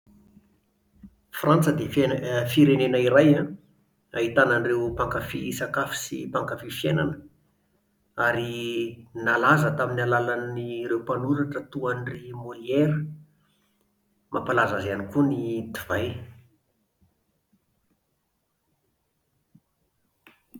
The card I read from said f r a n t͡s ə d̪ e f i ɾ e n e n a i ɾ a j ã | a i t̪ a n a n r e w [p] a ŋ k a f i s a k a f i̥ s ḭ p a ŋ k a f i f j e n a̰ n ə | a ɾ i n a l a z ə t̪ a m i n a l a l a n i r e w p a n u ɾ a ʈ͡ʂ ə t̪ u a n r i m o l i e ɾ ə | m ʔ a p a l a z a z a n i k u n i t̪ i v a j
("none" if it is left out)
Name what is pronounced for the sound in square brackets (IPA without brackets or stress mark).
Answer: p